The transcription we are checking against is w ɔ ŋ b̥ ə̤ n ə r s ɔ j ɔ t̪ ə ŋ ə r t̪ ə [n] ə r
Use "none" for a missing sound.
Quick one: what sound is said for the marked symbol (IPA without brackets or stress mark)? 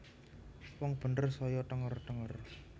ŋ